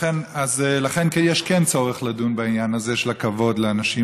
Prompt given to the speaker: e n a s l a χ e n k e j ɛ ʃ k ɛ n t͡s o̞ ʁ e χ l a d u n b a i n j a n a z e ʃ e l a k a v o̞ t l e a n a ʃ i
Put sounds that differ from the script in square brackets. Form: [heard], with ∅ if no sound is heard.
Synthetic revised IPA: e n a [z] l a χ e n k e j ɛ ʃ k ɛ n t͡s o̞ ʁ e χ l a d u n b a i n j a n a z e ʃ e l a k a v o̞ [d] l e a n a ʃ i